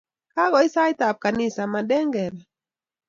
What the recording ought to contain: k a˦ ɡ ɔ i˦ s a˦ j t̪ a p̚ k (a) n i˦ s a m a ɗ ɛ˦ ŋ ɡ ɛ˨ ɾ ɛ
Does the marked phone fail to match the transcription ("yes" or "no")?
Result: no